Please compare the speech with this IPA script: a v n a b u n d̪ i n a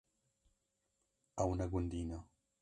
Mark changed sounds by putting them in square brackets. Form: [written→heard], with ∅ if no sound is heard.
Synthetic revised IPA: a [v→w] n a [b→ɡ] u n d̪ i n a